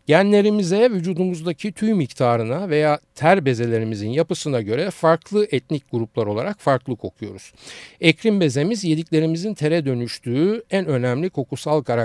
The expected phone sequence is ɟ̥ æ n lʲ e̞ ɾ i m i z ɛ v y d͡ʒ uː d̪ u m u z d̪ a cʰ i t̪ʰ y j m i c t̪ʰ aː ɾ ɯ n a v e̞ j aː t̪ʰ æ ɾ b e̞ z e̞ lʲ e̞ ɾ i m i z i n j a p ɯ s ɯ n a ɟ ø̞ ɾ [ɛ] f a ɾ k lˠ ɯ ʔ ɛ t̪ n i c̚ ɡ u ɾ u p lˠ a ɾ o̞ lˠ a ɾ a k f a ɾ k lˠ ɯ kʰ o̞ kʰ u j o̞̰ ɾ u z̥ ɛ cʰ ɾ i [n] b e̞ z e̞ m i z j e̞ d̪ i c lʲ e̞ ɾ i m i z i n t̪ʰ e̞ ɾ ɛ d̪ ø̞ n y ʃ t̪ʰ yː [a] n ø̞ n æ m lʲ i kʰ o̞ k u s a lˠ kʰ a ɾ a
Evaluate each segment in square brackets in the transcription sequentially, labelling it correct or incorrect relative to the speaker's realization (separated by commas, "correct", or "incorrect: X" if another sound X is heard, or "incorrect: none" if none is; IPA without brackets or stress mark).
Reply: correct, incorrect: m, incorrect: æ